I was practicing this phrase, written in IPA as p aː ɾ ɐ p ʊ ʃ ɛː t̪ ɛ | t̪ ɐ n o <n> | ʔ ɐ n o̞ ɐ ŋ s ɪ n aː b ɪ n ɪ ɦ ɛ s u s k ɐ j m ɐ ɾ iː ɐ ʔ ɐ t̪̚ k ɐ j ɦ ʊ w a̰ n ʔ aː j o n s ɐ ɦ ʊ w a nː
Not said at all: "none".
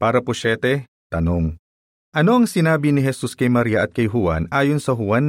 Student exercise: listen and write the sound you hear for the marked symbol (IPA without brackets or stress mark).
ŋ